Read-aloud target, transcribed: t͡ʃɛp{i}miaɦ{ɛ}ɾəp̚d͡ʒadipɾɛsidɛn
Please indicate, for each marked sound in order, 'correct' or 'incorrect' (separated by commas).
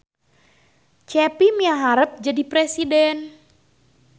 correct, incorrect